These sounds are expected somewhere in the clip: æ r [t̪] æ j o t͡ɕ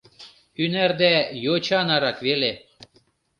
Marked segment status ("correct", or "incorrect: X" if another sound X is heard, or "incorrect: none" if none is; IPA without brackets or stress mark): incorrect: d̪